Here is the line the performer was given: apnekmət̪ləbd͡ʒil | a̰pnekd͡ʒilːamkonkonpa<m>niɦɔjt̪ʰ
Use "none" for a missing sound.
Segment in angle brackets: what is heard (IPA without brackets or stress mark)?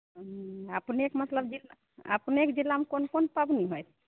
b